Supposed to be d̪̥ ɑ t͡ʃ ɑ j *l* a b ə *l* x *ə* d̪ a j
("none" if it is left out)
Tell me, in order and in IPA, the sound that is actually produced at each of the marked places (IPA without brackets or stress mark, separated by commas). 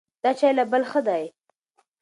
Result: l, l, ə